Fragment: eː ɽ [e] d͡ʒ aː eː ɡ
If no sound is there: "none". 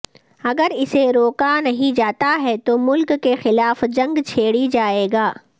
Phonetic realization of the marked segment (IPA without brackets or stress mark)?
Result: i